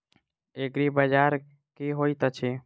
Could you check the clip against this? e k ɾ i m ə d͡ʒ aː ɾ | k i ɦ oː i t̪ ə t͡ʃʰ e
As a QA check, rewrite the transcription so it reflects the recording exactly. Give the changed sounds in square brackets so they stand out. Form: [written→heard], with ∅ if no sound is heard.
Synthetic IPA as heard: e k ɾ i [m→b] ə d͡ʒ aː ɾ | k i ɦ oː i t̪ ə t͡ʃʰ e